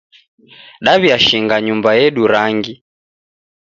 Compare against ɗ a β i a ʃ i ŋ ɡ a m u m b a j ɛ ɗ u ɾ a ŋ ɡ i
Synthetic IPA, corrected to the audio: ɗ a β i a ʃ i ŋ ɡ a ɲ u m b a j ɛ ɗ u ɾ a ŋ ɡ i